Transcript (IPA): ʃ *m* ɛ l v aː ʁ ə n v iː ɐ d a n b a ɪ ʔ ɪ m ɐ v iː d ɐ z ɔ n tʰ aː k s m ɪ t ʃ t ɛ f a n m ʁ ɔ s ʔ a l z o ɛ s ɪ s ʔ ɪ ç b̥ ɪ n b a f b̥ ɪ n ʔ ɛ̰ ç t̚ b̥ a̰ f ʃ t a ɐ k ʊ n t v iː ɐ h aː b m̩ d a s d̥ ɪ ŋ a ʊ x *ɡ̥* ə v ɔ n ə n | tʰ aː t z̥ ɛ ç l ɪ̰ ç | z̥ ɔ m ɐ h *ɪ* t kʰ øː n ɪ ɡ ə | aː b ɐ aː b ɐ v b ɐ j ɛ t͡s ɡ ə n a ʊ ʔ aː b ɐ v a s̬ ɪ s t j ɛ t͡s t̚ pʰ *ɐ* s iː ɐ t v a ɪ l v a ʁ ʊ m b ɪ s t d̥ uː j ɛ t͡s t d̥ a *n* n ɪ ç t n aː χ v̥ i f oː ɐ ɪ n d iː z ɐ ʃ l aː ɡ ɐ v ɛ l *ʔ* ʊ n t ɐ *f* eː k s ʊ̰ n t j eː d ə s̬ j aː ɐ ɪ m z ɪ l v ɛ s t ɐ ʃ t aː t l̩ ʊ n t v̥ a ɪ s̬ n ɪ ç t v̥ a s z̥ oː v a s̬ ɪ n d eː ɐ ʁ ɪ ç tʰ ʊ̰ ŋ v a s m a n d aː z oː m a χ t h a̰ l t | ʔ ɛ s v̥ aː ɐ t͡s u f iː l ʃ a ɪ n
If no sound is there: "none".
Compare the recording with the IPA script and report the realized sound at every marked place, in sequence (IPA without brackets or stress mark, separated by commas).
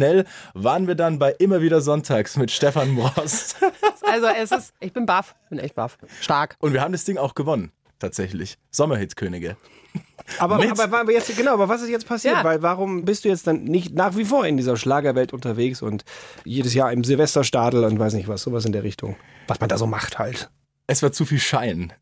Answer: n, ɡ̥, ɪ, a, n, t, v